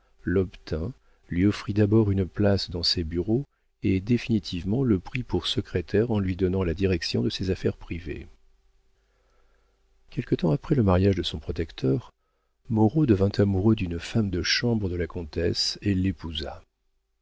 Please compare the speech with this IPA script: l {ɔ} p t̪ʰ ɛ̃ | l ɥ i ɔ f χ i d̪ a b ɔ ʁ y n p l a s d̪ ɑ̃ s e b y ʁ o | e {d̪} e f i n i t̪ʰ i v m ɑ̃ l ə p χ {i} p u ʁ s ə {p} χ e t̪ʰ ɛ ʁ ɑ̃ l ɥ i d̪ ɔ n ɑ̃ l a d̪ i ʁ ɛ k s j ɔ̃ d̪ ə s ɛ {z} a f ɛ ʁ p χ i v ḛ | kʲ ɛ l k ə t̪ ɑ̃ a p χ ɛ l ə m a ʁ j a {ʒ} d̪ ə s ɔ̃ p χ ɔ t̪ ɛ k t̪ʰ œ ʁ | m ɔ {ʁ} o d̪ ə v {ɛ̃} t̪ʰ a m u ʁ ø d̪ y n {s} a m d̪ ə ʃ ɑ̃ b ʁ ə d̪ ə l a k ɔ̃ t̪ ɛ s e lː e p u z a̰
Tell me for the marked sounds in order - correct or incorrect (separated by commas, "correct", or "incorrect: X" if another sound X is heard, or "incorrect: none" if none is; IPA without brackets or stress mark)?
correct, correct, correct, incorrect: k, correct, correct, correct, correct, incorrect: f